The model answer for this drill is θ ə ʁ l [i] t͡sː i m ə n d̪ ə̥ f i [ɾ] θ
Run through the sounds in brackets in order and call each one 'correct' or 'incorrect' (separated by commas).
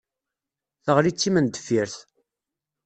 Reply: correct, correct